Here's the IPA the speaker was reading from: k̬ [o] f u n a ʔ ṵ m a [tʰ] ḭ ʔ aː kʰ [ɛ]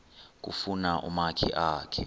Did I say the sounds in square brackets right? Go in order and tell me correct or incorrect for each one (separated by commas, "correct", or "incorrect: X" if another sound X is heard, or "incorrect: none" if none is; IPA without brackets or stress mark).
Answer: incorrect: u, incorrect: kʰ, correct